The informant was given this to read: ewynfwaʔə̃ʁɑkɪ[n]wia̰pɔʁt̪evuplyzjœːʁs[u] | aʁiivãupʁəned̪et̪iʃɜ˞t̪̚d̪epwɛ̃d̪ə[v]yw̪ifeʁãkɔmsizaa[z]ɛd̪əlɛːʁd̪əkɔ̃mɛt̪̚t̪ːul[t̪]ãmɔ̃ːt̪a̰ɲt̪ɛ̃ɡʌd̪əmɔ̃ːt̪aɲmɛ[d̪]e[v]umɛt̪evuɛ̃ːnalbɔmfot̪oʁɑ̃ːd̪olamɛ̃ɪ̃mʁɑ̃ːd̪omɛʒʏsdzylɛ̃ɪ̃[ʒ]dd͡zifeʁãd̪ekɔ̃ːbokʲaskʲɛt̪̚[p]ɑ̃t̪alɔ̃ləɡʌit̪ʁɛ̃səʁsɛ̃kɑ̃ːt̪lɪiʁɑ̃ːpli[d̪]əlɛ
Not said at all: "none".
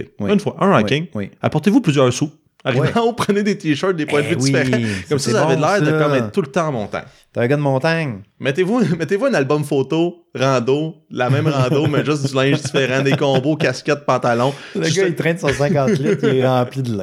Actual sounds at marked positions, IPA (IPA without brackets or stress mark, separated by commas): ŋ, u, v, v, t̪, t̪, v, ʒ, p, d̪